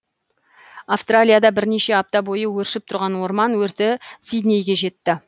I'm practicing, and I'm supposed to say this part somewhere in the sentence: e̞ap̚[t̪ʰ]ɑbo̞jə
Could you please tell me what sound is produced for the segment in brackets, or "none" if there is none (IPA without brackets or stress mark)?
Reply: t̪